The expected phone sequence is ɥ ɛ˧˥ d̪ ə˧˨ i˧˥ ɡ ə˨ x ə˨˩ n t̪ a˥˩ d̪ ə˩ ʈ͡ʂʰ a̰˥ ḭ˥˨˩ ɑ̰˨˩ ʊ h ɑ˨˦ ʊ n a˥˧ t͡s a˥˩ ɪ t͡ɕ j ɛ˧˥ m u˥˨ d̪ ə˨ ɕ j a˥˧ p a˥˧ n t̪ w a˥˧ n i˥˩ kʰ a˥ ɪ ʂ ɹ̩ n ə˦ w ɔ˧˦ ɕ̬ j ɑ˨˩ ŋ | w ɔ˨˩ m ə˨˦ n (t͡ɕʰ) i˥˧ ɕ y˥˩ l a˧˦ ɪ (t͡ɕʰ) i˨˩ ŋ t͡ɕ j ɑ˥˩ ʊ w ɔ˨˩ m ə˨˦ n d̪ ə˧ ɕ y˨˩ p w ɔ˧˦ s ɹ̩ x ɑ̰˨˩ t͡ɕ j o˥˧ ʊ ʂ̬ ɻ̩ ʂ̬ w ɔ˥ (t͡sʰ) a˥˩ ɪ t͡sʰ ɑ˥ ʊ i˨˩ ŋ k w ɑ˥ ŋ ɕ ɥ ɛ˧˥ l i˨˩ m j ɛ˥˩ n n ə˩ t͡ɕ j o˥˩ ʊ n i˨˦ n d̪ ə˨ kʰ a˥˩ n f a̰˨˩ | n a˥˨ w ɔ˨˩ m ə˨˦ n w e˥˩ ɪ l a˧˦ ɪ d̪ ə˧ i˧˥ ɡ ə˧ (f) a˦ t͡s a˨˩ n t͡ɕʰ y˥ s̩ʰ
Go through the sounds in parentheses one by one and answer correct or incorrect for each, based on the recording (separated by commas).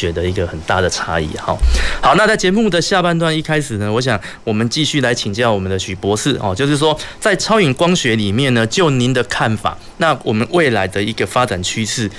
incorrect, correct, incorrect, correct